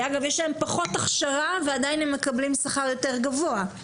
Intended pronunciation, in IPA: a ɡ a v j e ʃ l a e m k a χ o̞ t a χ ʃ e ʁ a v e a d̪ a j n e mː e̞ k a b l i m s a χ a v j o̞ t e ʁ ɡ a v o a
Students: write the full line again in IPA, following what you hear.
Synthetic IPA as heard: a ɡ a v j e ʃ l a e m p a χ o̞ t a χ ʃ a ʁ a v e a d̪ a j n e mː e̞ k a b l i m s a χ a ʁ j o̞ t e ʁ ɡ a v o a